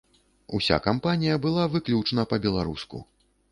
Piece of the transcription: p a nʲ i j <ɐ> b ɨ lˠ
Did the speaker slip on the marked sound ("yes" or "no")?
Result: no